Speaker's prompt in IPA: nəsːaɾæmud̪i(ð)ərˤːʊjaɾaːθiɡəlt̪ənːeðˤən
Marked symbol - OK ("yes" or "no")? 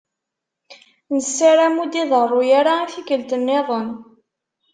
yes